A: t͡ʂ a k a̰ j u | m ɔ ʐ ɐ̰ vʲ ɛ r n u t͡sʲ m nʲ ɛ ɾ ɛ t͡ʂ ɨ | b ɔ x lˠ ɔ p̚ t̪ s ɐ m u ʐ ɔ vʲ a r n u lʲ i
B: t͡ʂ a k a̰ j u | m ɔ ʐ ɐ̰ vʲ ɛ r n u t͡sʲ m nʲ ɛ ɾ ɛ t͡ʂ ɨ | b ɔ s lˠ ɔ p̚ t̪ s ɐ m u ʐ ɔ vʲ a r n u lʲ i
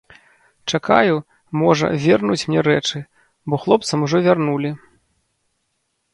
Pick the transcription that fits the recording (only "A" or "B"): A